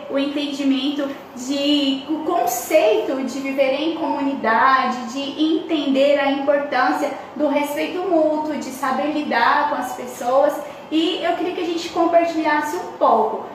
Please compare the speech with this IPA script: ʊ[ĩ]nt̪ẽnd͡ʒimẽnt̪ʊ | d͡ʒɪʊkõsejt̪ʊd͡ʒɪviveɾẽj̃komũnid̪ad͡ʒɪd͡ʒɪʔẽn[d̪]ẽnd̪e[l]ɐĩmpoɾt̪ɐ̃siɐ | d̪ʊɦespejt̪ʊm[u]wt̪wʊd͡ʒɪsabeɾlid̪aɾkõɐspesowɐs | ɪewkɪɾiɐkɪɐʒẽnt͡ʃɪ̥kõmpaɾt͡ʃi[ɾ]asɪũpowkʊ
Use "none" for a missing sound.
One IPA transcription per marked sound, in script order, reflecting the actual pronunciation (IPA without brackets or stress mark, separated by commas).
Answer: ẽ, t̪, ɾ, u, ʎ